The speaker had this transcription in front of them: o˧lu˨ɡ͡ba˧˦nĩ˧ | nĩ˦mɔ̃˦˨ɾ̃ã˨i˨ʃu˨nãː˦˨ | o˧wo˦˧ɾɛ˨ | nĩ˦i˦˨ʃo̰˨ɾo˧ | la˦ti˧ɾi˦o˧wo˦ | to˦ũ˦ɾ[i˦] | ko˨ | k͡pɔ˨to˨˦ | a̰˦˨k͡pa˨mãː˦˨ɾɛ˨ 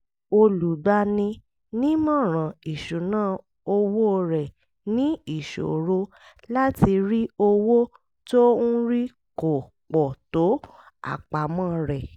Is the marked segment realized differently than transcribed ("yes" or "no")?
no